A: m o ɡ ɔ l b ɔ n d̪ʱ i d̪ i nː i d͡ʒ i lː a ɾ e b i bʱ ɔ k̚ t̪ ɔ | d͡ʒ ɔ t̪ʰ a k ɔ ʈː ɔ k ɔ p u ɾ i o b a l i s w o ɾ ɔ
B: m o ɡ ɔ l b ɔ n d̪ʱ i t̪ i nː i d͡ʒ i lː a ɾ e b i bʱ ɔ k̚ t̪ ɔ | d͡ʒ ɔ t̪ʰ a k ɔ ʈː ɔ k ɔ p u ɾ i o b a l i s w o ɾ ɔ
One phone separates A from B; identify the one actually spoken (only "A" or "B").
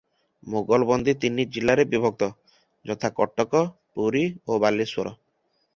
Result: B